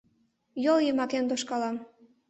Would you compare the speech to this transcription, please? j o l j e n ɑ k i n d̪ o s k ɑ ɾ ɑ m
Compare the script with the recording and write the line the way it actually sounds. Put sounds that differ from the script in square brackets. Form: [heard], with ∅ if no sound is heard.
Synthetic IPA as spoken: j o l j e [m] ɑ k [e] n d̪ o [ʃ] k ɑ [l] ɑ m